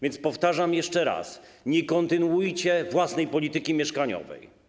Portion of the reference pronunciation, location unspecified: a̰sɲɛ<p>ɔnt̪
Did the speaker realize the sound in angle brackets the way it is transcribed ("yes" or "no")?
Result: no